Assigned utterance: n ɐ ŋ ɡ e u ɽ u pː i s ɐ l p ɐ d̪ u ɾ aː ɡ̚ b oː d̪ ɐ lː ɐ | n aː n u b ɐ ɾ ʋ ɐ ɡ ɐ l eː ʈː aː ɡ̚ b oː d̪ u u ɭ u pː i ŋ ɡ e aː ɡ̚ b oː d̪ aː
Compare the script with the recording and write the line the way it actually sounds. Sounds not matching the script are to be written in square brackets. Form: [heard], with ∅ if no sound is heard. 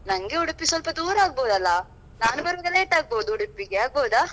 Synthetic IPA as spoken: n ɐ ŋ ɡ e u ɽ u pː i s ɐ l p ɐ d̪ [uː] ɾ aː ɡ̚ b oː d̪ ɐ lː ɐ | n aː n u b ɐ ɾ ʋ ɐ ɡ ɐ l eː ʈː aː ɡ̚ b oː d̪ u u [ɽ] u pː i [∅] ɡ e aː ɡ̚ b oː d̪ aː